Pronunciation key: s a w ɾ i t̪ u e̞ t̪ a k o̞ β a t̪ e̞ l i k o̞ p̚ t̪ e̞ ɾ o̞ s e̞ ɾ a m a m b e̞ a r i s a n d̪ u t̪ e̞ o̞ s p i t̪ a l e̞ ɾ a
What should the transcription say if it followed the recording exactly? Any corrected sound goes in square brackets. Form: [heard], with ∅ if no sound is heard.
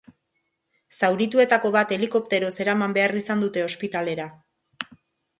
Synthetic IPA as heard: s a w ɾ i t̪ u e̞ t̪ a k o̞ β a t̪ e̞ l i k o̞ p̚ t̪ e̞ ɾ o̞ s e̞ ɾ a m a m b e̞ a r i s a n d̪ u t̪ e̞ o̞ s p i t̪ a l e̞ ɾ a